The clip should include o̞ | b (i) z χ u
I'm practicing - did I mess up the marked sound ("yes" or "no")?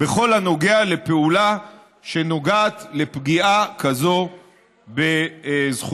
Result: yes